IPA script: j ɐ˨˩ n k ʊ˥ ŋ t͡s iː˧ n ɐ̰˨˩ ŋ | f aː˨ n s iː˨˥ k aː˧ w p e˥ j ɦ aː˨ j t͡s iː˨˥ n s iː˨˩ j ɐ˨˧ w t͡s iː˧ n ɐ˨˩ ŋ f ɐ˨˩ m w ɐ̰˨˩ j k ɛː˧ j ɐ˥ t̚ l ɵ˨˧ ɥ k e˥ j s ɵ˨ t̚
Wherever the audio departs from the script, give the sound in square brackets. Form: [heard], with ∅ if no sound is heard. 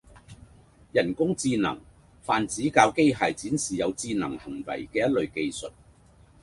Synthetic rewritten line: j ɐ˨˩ n k ʊ˥ ŋ t͡s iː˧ n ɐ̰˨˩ ŋ | f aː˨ n [t͡s] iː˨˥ k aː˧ w [k] e˥ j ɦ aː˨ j t͡s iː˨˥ n s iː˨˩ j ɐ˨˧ w t͡s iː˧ n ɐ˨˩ ŋ [h] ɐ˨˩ [ŋ] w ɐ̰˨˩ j k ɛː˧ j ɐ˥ t̚ l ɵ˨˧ ɥ k [e˧] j s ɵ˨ t̚